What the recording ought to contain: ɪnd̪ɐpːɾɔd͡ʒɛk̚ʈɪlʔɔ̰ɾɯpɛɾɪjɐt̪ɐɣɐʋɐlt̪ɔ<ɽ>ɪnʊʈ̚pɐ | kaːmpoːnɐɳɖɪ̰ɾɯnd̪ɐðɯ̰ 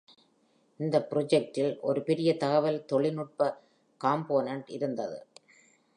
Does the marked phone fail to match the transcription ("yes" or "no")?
yes